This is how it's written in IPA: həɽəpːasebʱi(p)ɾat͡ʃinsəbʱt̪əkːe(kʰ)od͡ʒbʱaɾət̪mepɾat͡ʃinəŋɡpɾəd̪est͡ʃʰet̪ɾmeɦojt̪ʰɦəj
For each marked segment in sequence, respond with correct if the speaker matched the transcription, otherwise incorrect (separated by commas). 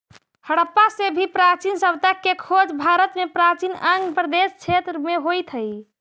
correct, correct